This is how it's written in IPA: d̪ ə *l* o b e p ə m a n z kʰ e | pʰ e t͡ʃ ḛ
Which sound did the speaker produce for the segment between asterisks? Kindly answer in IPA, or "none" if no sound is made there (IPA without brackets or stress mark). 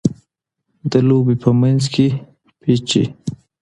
l